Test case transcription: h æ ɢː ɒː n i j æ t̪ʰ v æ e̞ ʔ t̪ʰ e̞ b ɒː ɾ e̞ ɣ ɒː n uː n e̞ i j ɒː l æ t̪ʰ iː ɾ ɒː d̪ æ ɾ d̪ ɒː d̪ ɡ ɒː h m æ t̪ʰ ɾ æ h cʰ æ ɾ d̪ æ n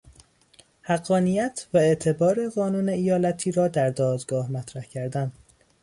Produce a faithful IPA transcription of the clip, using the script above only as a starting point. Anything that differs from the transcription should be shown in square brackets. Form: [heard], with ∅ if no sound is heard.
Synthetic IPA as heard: h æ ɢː ɒː n i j æ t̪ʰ v æ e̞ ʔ t̪ʰ e̞ b ɒː ɾ e̞ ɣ ɒː n uː n e̞ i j ɒː l æ t̪ʰ iː ɾ ɒː d̪ æ ɾ d̪ ɒː d̪ ɡ ɒː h m æ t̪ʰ ɾ æ h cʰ æ ɾ d̪ æ n